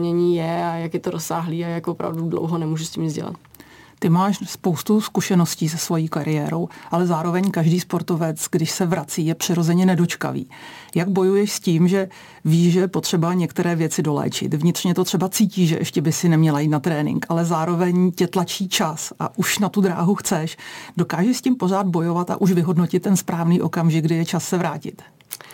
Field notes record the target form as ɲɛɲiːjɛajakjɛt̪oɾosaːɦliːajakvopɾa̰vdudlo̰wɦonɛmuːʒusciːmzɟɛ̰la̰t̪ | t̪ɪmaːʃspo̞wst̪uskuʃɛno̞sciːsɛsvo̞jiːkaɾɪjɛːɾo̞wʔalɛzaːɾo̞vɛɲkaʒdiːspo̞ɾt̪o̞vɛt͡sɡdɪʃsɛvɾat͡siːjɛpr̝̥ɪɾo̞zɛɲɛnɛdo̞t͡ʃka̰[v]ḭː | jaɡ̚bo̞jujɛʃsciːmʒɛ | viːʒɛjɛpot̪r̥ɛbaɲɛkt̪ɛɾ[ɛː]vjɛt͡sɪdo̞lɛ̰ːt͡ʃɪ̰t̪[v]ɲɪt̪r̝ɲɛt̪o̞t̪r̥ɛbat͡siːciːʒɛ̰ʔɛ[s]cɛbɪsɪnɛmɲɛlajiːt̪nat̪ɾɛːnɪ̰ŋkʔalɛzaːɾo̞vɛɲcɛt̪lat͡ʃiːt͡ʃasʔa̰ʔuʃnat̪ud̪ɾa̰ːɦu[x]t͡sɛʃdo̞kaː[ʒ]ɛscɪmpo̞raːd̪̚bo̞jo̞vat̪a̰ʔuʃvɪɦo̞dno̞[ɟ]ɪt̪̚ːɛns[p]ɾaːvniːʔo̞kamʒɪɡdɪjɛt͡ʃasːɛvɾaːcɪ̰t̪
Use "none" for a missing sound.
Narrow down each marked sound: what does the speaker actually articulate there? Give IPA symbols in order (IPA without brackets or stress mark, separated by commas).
v, ɛː, v, ʃ, x, ʒ, c, p